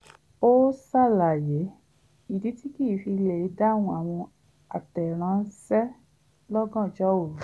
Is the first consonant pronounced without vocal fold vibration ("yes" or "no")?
yes